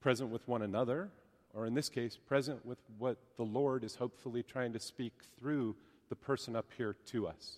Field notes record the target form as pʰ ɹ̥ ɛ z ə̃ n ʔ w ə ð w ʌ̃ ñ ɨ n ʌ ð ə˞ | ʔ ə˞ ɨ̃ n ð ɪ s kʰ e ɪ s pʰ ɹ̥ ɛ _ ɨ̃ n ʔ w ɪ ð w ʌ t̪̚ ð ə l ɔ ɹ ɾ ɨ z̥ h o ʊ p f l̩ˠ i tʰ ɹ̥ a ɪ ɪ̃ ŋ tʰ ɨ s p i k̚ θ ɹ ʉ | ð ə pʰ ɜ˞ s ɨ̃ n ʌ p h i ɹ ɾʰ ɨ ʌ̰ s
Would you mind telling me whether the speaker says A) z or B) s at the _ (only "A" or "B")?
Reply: A